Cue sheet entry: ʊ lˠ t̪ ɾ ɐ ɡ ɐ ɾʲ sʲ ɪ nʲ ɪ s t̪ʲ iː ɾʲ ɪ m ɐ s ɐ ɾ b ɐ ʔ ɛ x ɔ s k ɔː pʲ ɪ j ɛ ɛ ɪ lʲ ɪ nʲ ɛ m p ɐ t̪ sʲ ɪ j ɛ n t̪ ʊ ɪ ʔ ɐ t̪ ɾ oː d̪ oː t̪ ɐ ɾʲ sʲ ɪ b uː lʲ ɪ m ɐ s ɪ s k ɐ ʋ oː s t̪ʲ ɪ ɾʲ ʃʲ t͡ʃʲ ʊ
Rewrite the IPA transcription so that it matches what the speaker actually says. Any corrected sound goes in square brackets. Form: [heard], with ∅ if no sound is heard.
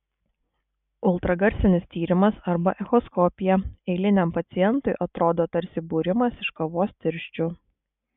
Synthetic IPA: ʊ lˠ t̪ ɾ ɐ ɡ ɐ ɾʲ sʲ ɪ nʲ ɪ s t̪ʲ iː ɾʲ ɪ m ɐ s ɐ ɾ b ɐ ʔ ɛ x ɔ s k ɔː pʲ ɪ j ɛ ɛ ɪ lʲ ɪ nʲ ɛ m p ɐ t̪ sʲ ɪ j ɛ n t̪ ʊ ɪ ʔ ɐ t̪ ɾ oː d̪ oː t̪ ɐ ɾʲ sʲ ɪ b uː [ɾʲ] ɪ m ɐ s ɪ [ʃ] k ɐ ʋ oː s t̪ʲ ɪ ɾʲ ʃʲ t͡ʃʲ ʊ